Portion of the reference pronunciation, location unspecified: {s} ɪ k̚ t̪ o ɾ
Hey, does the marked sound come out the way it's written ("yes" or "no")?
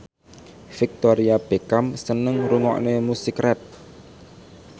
no